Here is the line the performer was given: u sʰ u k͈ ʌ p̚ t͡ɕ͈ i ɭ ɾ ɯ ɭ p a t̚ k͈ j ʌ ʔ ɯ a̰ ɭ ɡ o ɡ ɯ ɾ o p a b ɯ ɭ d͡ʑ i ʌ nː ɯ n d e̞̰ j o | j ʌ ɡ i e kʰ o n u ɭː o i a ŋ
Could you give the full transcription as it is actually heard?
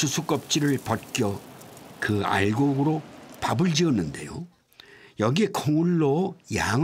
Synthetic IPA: u sʰ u k͈ ʌ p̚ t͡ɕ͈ i ɾ ɯ ɭ p ʌ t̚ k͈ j ʌ k ɯ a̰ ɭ ɡ o ɡ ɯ ɾ o p a b ɯ ɭ d͡ʑ i ʌ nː ɯ n d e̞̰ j o | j ʌ ɡ i e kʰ o ŋ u ɭː o j a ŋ